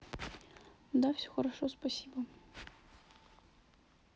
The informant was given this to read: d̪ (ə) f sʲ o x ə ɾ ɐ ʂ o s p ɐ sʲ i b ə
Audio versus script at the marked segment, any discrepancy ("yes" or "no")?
yes